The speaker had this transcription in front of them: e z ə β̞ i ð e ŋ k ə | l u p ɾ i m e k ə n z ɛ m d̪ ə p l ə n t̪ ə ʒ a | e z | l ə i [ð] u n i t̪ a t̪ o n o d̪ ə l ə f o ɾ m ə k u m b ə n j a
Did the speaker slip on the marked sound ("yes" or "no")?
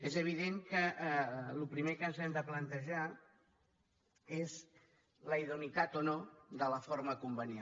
no